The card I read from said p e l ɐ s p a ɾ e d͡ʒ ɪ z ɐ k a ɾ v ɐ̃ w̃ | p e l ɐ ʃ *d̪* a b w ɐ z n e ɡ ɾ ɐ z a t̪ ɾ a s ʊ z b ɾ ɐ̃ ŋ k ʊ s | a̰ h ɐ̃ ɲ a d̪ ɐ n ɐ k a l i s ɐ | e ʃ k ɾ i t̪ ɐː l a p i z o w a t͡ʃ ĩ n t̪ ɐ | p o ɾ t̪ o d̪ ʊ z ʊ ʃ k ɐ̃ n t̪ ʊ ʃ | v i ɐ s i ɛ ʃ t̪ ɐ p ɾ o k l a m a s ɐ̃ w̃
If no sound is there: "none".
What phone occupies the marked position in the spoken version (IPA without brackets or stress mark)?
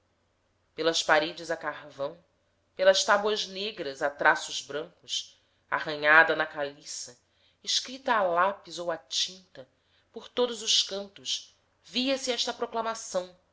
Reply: t̪